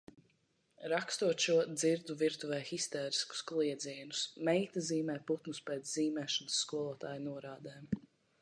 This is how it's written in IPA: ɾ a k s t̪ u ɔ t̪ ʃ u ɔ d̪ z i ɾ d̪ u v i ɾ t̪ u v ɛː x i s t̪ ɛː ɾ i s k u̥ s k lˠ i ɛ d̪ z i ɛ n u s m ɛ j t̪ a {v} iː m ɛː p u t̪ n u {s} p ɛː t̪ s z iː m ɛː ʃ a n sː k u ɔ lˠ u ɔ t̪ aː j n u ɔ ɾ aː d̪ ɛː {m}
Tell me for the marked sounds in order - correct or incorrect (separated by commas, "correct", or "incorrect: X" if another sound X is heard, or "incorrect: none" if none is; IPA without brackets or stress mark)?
incorrect: z, correct, correct